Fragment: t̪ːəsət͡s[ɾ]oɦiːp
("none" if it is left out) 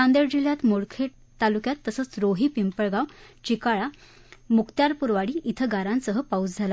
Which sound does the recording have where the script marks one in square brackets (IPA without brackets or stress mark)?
ɾ